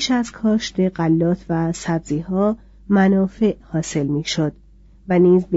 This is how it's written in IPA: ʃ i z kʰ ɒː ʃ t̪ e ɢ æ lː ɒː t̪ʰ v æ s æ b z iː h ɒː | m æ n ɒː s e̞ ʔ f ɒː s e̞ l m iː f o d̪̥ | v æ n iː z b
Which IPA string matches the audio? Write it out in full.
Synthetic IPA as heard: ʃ æ z kʰ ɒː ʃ t̪ e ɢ æ lː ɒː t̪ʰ v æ s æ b z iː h ɒː | m æ n ɒː f e̞ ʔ h ɒː s e̞ l m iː ʃ o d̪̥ | v æ n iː z b